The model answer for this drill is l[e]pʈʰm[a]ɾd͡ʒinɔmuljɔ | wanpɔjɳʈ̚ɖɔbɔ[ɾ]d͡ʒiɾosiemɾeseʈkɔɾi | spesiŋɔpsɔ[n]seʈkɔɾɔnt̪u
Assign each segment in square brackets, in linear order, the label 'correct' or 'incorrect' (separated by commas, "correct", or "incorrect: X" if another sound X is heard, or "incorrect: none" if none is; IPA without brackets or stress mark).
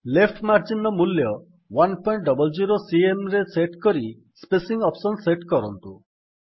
correct, correct, incorrect: l, correct